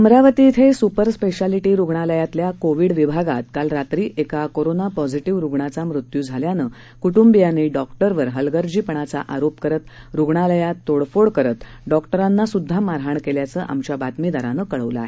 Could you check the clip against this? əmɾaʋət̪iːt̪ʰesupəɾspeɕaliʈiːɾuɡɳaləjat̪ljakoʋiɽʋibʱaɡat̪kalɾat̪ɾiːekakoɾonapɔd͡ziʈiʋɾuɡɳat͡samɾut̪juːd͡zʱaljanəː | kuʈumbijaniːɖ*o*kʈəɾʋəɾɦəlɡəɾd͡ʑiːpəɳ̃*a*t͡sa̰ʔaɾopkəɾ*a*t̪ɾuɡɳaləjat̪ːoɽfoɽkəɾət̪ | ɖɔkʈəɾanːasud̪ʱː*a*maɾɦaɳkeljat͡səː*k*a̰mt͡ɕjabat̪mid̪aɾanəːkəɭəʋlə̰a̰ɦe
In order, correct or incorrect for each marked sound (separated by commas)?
incorrect, correct, incorrect, correct, incorrect